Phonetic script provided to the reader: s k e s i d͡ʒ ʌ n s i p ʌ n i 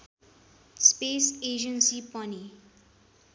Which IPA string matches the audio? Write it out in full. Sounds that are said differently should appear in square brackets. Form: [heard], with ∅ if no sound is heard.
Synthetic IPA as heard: s [p] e s [e] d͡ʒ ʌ n s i p ʌ n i